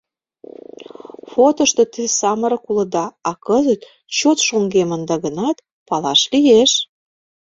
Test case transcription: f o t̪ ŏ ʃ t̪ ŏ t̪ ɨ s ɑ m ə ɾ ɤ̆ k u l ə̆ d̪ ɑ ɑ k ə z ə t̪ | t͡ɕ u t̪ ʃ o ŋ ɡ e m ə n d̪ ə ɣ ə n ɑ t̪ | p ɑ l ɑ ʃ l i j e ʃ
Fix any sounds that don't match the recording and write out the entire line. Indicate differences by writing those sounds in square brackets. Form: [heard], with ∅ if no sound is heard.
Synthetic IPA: f o t̪ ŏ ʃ t̪ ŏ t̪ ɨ s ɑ m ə ɾ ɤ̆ k u l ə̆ d̪ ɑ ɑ k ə z ə t̪ | t͡ɕ [o] t̪ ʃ o ŋ ɡ e m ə n d̪ [ɑ] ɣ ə n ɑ t̪ | p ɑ l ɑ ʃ l i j e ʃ